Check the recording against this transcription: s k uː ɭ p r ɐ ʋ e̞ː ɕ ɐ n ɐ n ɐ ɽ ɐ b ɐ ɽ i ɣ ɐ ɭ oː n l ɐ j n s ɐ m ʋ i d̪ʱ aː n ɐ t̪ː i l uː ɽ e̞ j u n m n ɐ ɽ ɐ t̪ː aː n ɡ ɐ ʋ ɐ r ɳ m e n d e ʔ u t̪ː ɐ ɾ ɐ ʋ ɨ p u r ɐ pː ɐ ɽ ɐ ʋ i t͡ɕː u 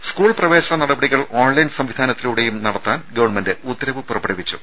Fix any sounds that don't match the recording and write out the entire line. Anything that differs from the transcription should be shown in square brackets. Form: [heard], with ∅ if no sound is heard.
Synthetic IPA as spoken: s k uː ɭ p r ɐ ʋ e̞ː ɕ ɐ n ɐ n ɐ ɽ ɐ b ɐ ɽ i ɣ ɐ ɭ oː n l ɐ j n s ɐ m ʋ i d̪ʱ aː n ɐ t̪ː i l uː ɽ e̞ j u [∅] m n ɐ ɽ ɐ t̪ː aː n ɡ ɐ ʋ ɐ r ɳ m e n d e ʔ u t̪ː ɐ ɾ ɐ ʋ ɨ p u r ɐ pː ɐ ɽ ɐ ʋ i t͡ɕː u